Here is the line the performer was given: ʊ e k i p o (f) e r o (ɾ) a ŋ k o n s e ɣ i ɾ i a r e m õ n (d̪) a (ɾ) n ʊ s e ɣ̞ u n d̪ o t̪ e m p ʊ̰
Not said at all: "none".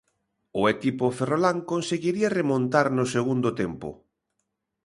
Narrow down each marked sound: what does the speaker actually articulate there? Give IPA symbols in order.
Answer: f, l, t̪, ɾ

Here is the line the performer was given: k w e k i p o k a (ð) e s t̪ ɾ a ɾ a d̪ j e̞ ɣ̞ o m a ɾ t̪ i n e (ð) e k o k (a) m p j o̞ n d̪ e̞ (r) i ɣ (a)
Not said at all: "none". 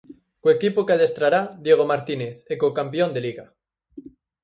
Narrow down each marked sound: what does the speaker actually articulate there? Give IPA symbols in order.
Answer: ð, θ, a, l, a

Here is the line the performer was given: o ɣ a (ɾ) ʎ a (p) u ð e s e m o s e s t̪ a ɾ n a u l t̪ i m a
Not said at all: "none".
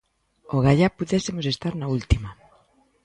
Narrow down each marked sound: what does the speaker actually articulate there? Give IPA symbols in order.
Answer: none, p

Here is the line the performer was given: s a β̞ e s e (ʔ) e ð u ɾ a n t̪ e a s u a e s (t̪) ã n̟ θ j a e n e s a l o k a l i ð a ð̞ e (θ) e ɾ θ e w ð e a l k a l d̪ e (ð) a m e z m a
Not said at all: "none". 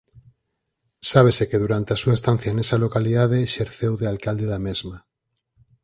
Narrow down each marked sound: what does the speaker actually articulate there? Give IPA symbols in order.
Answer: k, t̪, ʃ, ð

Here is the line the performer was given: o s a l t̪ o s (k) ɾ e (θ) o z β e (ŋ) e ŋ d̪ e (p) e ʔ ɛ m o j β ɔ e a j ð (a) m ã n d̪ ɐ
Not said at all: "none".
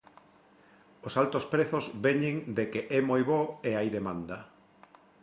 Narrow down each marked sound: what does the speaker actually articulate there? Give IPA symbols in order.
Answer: p, θ, ɲ, k, e

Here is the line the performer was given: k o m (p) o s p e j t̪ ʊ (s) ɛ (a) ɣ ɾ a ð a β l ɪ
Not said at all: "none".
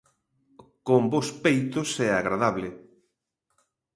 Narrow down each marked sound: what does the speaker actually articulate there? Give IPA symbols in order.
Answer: b, s, a

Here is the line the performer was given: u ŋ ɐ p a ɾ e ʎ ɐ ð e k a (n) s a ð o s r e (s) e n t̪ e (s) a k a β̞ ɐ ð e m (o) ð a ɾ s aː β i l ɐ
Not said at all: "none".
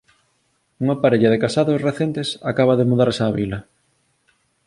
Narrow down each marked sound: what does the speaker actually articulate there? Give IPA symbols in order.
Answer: none, θ, s, u

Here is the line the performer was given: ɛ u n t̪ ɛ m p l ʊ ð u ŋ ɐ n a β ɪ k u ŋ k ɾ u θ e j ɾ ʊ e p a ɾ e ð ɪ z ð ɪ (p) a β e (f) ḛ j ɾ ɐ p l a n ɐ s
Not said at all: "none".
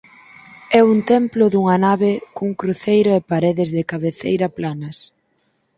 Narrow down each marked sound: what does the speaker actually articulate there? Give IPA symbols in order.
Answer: k, θ

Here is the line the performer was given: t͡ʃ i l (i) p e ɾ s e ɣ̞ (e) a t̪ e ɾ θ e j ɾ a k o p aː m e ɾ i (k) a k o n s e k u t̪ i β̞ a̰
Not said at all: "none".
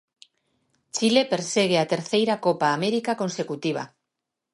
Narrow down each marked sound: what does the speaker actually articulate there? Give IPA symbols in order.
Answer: e, e, k

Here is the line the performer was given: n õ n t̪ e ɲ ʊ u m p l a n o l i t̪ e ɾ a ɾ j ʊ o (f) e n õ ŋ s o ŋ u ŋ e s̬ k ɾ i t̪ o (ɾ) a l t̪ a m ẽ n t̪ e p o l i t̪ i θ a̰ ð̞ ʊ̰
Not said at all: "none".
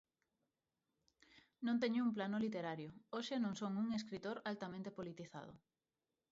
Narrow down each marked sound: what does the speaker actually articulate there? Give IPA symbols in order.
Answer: ʃ, ɾ

